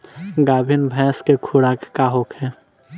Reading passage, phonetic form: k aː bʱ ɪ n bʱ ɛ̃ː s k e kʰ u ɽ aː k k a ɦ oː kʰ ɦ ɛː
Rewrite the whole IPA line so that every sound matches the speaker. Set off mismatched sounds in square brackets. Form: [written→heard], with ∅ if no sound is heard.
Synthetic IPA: [k→ɡ] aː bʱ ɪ n bʱ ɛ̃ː s k e kʰ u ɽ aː k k a ɦ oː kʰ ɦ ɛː